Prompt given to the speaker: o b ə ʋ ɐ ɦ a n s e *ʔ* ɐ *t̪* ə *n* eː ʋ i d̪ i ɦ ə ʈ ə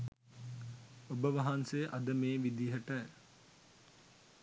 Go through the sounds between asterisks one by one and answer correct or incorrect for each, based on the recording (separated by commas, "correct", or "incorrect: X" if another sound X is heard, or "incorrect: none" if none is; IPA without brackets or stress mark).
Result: correct, incorrect: d̪, incorrect: m